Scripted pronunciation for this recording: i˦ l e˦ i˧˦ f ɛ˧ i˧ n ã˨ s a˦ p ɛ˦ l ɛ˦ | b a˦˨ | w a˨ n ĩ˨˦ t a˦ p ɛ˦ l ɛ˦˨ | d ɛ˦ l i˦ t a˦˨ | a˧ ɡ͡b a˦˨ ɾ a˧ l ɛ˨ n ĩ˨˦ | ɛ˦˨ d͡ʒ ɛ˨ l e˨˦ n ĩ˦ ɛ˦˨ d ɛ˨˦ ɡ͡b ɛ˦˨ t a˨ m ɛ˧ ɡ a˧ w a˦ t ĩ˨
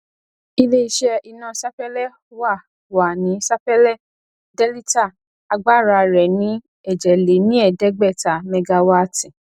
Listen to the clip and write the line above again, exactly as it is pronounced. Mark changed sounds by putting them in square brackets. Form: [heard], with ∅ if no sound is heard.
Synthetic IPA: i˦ l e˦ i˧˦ [ʃ] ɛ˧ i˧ n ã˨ s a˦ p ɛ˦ l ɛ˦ | [w] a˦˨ | w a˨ n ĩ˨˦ [s] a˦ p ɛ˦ l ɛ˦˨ | d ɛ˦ l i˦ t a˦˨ | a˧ ɡ͡b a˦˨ ɾ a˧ [ɾ] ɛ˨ n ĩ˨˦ | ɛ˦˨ d͡ʒ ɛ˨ l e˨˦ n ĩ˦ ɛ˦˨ d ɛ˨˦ ɡ͡b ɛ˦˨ t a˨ m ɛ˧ ɡ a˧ w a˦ t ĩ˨